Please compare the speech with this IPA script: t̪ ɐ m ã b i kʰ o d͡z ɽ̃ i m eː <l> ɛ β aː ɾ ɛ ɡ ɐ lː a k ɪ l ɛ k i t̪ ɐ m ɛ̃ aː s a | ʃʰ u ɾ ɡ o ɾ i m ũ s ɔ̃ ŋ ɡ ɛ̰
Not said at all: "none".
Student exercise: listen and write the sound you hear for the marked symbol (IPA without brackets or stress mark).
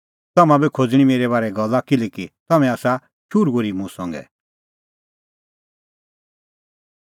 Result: ɾ